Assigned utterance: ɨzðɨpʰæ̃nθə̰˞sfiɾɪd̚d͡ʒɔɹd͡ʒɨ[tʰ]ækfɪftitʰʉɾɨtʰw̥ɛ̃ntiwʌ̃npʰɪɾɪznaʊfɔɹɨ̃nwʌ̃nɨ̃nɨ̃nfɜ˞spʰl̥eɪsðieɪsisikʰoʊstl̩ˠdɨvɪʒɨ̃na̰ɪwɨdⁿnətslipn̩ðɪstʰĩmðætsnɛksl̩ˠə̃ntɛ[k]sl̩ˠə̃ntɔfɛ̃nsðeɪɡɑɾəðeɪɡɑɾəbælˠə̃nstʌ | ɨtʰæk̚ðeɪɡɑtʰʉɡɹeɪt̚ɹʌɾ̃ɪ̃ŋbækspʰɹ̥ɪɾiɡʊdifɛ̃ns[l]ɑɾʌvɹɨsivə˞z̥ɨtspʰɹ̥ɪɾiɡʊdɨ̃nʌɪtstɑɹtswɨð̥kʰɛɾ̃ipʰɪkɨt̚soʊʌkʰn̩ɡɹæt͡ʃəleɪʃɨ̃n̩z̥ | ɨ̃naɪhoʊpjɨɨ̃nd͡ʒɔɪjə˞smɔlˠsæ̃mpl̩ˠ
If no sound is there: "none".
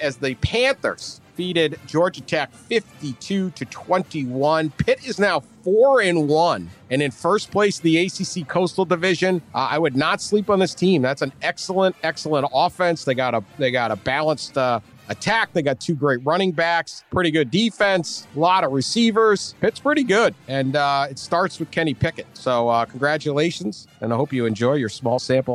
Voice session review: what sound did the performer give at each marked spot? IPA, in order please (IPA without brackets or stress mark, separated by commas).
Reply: tʰ, k, l